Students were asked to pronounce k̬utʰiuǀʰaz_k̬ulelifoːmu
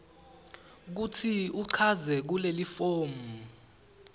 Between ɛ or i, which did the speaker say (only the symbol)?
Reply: ɛ